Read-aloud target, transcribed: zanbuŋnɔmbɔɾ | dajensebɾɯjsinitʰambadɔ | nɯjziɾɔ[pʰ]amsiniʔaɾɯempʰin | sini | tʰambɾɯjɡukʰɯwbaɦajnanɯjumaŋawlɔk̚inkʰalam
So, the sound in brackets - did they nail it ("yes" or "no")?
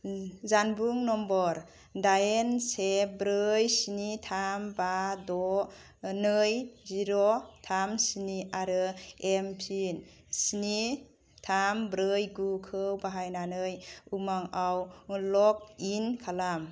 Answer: no